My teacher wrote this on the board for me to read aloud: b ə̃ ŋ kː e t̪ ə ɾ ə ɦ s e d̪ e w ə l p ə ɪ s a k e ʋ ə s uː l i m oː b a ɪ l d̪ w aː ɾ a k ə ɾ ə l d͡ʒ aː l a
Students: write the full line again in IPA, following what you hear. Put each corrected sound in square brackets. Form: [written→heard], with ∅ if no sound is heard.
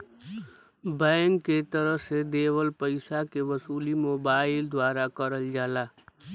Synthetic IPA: b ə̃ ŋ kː e t̪ ə ɾ ə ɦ s e d̪ e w ə l p ə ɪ s a k e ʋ ə s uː l i m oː b a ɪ l d̪ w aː ɾ a k ə ɾ ə l d͡ʒ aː l a